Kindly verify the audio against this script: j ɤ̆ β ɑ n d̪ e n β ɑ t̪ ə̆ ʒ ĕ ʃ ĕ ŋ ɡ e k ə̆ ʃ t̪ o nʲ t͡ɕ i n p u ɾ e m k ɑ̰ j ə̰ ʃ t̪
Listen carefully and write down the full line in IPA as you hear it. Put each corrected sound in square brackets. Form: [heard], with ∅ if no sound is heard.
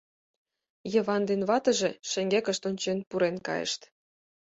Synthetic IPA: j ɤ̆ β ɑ n d̪ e n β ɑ t̪ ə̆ ʒ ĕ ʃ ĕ ŋ ɡ e k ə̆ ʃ t̪ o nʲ t͡ɕ [e] n p u ɾ e [n] k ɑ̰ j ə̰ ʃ t̪